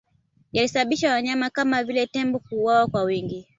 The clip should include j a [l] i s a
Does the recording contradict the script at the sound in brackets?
no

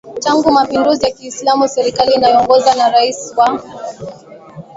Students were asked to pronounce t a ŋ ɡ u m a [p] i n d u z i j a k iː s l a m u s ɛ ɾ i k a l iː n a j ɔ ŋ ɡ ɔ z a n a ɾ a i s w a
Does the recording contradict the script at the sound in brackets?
no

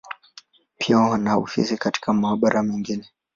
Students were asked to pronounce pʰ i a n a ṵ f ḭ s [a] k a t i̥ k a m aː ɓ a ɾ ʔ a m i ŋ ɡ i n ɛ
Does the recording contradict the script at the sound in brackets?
yes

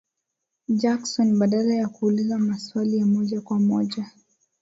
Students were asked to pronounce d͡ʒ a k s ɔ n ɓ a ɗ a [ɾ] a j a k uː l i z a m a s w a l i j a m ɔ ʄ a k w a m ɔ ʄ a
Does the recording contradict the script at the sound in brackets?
yes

